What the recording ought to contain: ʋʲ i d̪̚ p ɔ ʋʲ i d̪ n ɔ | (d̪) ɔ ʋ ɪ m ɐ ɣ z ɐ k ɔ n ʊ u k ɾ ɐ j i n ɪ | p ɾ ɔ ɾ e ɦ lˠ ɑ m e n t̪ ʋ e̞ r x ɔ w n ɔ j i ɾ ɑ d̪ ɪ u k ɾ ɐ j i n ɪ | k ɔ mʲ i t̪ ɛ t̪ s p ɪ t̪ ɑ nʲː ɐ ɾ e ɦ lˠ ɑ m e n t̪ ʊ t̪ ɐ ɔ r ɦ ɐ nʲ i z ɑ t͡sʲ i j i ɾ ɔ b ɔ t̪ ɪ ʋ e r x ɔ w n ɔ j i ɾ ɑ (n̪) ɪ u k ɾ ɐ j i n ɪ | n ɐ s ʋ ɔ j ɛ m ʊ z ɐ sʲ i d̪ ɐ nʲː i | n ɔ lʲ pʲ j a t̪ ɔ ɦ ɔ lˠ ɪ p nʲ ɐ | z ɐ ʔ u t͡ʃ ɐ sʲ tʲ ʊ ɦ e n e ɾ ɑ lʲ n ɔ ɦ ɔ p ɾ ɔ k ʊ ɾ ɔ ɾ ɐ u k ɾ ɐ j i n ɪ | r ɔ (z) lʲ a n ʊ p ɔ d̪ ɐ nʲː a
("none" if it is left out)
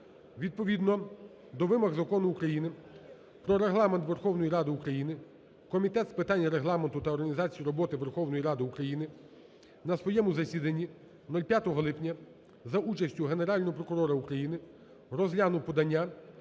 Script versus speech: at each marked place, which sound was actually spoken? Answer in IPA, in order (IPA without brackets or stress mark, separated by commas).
d̪, d̪, z